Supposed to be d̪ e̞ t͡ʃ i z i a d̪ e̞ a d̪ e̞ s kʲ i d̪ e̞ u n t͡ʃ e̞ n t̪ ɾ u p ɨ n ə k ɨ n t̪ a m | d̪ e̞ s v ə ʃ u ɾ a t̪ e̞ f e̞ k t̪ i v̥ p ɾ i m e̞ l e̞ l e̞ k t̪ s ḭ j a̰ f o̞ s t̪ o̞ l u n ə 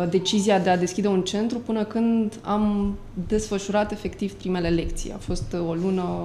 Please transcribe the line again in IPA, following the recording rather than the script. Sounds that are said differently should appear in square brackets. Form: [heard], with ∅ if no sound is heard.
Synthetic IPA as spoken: d̪ e̞ t͡ʃ i z i a d̪ e̞ a d̪ e̞ s kʲ i d̪ e̞ u n t͡ʃ e̞ n t̪ ɾ u p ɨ n ə k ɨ n [d̪] a m | d̪ e̞ s [f] ə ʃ u ɾ a t̪ e̞ f e̞ k t̪ i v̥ p ɾ i m e̞ l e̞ l e̞ k t̪ s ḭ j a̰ f o̞ s t̪ o̞ l u n ə